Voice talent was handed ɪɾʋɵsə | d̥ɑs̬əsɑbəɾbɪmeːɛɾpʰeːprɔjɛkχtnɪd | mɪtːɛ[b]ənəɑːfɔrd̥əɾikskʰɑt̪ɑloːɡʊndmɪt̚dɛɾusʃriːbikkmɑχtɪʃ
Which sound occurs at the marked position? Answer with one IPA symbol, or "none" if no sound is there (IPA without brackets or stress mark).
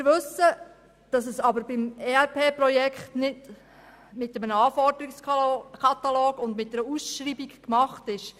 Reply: m